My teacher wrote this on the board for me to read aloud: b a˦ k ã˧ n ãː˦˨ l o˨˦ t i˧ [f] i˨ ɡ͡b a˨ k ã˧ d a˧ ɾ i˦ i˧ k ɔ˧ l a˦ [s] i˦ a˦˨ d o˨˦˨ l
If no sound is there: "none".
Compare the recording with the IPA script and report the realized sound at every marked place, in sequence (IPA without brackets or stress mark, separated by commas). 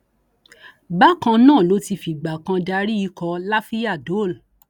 f, f